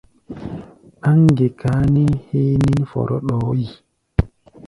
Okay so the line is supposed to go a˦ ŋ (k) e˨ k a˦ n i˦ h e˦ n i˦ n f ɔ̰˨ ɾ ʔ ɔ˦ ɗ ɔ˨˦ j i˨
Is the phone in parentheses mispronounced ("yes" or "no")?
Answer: yes